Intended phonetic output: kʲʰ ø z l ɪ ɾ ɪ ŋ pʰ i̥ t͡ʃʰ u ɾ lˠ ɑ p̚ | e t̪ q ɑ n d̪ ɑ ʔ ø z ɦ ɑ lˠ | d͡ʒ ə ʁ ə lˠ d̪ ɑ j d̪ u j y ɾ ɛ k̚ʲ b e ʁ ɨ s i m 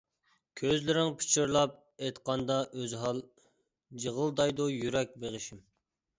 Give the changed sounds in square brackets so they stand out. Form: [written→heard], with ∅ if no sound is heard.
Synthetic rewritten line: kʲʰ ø z l ɪ ɾ ɪ ŋ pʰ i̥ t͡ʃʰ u ɾ lˠ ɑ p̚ | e t̪ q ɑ n d̪ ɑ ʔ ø z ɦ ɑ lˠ | d͡ʒ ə ʁ ə lˠ d̪ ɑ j d̪ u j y ɾ ɛ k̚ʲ b e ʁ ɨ [s→ʃ] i m